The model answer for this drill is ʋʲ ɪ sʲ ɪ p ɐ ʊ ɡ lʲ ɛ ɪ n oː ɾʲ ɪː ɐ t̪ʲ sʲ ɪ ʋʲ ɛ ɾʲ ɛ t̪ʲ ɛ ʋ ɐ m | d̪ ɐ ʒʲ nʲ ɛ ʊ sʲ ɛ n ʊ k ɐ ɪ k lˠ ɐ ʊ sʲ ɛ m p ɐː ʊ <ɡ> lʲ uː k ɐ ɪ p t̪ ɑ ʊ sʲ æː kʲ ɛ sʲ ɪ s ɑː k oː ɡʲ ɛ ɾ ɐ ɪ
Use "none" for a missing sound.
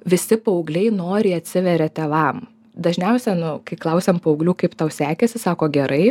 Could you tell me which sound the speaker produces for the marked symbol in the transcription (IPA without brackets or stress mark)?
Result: ɡ